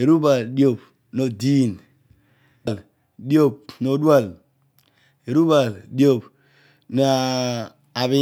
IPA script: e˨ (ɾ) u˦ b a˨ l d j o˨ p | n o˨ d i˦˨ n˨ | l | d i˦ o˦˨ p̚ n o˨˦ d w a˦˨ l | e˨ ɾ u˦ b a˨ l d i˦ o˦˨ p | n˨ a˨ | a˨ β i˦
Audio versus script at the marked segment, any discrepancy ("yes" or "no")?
no